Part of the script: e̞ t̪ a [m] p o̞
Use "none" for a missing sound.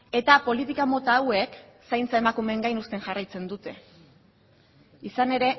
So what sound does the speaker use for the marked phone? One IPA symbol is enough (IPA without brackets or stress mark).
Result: none